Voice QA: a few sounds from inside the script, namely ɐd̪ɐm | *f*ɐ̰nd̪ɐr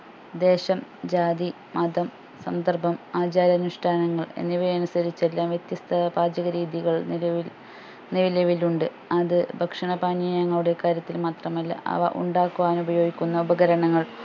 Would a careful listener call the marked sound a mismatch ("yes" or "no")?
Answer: yes